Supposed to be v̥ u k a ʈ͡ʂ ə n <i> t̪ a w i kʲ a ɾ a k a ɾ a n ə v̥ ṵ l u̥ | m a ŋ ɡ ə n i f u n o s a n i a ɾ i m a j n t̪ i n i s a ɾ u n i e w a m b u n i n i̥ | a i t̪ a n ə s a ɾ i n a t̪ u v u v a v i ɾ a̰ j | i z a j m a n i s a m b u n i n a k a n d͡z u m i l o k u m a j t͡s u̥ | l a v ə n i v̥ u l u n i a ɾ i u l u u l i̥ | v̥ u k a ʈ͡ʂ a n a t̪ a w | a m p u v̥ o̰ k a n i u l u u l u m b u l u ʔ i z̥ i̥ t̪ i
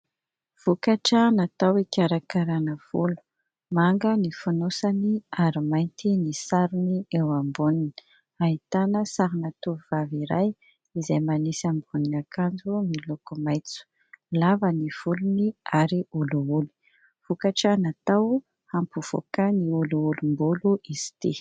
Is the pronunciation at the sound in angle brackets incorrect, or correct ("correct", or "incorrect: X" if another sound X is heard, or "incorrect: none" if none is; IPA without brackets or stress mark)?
incorrect: a